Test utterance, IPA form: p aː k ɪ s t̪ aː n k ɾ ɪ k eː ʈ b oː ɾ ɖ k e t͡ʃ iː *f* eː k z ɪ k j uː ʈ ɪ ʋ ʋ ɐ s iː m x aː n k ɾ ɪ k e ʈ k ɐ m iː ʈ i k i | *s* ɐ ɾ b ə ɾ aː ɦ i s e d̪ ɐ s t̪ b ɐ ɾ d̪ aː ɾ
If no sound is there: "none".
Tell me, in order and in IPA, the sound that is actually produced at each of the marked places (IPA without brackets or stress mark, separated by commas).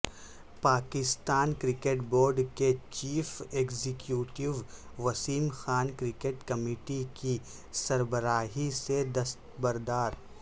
f, s